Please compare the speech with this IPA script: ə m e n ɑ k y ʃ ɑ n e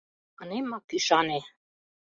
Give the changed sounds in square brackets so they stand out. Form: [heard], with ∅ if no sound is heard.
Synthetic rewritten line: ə [n] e [m] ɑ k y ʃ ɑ n e